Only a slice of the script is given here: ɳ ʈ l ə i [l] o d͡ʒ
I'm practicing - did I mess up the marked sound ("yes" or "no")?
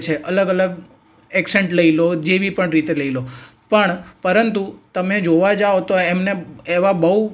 no